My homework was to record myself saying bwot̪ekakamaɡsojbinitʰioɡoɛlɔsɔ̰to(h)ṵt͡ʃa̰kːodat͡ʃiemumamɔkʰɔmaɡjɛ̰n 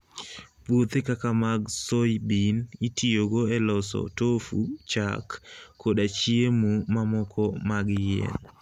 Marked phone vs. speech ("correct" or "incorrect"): incorrect